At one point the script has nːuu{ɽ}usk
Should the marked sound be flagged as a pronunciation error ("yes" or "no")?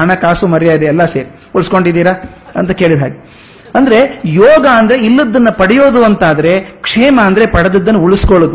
yes